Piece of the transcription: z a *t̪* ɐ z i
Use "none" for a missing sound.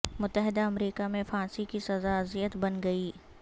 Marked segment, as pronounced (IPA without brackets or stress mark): none